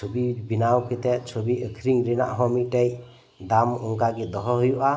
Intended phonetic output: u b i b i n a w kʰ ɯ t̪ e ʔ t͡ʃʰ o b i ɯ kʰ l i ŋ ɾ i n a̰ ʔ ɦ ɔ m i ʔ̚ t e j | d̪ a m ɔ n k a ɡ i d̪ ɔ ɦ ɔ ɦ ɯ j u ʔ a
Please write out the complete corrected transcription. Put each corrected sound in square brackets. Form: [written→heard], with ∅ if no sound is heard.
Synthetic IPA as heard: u b i b i n a w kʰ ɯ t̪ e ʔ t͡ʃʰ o b i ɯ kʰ [l→ɾ] i ŋ ɾ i n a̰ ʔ ɦ ɔ m i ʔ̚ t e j | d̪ a m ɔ [n→ŋ] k a ɡ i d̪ ɔ ɦ ɔ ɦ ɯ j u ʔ a